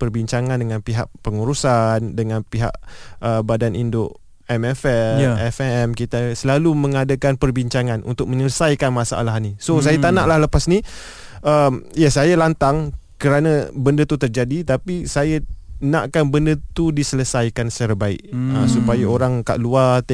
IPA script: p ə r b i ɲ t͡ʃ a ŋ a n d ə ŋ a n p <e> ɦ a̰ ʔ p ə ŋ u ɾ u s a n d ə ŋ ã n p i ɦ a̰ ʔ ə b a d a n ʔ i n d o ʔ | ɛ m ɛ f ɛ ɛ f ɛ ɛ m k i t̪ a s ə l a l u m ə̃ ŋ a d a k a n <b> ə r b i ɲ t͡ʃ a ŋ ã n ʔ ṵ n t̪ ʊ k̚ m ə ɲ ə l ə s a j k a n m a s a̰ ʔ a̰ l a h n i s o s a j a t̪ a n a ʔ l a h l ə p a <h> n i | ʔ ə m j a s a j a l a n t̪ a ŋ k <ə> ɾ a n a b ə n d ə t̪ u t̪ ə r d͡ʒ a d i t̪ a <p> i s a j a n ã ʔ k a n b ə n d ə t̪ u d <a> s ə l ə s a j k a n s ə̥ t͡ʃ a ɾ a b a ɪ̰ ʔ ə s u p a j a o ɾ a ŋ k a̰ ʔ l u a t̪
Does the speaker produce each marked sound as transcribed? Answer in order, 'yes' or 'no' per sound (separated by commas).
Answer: no, no, no, yes, yes, no